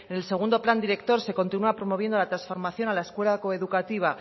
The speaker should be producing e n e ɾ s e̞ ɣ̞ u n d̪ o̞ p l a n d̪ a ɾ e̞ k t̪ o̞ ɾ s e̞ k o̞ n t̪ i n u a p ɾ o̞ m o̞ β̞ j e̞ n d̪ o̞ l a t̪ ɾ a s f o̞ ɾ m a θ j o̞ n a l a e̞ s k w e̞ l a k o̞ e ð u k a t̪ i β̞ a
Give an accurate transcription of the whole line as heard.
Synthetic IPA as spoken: e n e l s e̞ ɣ̞ u n d̪ o̞ p l a n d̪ i ɾ e̞ k t̪ o̞ ɾ s e̞ k o̞ n t̪ i n u a p ɾ o̞ m o̞ β̞ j e̞ n d̪ o̞ l a t̪ ɾ a s f o̞ ɾ m a θ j o̞ n a l a e̞ s k w e̞ l a k o̞ e ð u k a t̪ i β̞ a